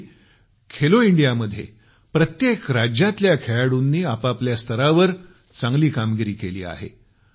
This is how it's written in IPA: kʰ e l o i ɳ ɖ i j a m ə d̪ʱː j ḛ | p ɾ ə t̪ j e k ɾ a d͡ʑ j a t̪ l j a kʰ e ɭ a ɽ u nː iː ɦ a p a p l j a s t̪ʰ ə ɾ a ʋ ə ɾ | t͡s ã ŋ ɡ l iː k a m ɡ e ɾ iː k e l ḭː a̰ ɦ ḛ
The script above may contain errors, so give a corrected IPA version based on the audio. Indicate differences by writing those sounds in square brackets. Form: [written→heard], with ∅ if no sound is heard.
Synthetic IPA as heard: kʰ e l o i ɳ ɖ i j a m ə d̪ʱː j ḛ | p ɾ ə t̪ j e k ɾ a d͡ʑ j a t̪ l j a kʰ e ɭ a ɽ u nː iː [ɦ→∅] a p a p l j a s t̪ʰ ə ɾ a ʋ ə ɾ | t͡s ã ŋ ɡ l iː k a m ɡ [e→i] ɾ iː k e l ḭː a̰ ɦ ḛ